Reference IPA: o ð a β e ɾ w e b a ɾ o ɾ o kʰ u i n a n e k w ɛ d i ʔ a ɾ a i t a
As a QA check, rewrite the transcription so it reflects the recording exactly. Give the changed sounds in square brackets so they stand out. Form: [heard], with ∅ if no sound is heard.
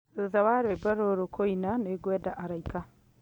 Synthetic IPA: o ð a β [a] ɾ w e b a ɾ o ɾ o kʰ [o] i n a n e [ɡ] w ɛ d [a] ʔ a ɾ a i [k] a